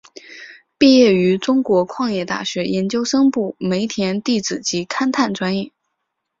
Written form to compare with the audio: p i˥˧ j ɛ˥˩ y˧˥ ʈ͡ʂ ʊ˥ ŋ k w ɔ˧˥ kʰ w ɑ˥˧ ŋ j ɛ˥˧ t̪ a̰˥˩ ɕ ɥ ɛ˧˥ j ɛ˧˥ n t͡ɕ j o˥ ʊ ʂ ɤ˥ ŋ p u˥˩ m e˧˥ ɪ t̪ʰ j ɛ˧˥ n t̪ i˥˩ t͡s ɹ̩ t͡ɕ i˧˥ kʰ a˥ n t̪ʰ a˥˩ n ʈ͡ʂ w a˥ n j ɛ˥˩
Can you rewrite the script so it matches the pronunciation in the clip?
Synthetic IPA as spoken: p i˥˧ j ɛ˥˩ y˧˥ ʈ͡ʂ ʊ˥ ŋ k w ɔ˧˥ kʰ w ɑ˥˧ ŋ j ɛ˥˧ t̪ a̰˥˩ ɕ ɥ ɛ˧˥ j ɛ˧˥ n t͡ɕ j o˥ ʊ ʂ ɤ˥ ŋ p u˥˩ m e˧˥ ɪ t̪ʰ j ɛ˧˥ n t̪ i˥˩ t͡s ɹ̩ t͡ɕ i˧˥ kʰ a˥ n t̪ʰ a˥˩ n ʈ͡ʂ w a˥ n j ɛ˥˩